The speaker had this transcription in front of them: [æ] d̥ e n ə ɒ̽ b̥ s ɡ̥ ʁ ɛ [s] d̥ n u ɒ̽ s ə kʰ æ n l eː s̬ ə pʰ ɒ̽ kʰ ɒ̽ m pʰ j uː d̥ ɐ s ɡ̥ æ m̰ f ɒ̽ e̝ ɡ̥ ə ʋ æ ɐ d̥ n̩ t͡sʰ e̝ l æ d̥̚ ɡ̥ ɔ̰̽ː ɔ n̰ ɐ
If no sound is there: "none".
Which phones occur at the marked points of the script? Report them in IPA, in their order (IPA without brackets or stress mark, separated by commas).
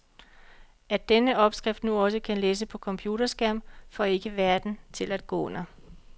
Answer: æ, f